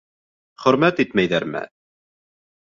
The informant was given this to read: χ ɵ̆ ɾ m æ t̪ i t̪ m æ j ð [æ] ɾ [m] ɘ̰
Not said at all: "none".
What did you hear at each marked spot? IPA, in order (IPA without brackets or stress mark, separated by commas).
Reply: æ, m